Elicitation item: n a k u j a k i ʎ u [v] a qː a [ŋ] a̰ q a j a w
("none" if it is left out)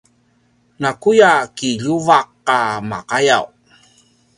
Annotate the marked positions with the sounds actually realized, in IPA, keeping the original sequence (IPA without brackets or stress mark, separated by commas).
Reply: v, m